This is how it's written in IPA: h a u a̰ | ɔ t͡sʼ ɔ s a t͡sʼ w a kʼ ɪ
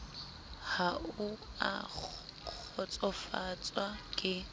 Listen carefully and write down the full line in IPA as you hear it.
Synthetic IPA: h a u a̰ | ɔ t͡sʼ ɔ f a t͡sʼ w a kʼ ɪ